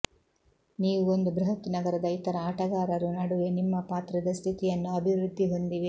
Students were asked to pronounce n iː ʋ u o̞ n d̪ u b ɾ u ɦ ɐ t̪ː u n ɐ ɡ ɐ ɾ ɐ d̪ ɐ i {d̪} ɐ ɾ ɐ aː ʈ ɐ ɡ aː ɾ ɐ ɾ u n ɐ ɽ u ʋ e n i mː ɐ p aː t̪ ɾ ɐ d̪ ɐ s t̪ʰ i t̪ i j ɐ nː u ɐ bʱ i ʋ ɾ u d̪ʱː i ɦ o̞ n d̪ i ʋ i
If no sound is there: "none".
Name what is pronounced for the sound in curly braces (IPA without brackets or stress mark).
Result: t̪